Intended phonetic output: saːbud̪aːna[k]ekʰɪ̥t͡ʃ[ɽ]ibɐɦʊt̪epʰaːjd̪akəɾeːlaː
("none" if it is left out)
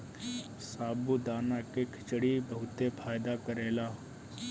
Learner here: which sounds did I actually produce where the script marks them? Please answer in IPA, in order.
k, ɽ

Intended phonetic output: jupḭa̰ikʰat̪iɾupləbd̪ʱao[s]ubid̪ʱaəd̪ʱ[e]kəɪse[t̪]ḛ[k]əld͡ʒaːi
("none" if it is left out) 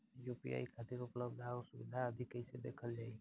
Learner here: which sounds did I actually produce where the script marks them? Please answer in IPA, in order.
s, i, d̪, kʰ

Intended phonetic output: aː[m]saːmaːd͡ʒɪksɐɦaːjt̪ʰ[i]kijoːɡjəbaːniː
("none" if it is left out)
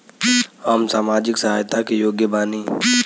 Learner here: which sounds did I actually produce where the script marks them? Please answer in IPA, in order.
m, a

